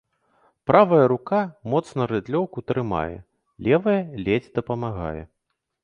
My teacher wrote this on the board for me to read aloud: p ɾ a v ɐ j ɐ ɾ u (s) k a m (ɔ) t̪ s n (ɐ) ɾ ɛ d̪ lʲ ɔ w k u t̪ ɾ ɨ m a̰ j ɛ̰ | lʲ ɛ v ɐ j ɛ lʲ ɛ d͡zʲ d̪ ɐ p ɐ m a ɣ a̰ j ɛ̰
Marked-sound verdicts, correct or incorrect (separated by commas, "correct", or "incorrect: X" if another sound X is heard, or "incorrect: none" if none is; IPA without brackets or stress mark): incorrect: none, correct, correct